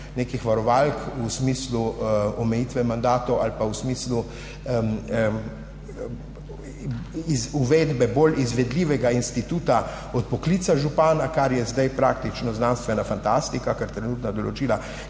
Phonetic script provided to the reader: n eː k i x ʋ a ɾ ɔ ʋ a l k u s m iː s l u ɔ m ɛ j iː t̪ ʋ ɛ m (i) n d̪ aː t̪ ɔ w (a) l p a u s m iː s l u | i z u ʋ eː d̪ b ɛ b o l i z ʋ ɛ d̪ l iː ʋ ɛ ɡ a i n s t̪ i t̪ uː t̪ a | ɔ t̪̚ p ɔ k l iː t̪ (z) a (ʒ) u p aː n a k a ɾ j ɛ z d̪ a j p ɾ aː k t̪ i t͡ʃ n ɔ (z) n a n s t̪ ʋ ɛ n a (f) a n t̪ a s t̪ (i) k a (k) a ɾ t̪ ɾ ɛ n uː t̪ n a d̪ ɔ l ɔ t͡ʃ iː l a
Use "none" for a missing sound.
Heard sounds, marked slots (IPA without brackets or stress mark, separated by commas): a, a, s, ʒ, z, f, i, k